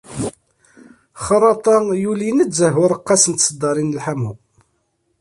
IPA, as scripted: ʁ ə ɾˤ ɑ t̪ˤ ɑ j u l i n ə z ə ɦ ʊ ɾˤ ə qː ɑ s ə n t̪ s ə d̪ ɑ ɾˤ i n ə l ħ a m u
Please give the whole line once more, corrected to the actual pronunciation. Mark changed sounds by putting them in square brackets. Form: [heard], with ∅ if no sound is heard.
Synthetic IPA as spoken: [χ] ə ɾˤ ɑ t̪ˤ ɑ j u l i n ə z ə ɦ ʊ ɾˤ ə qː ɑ s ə n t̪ s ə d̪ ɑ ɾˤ i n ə l ħ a m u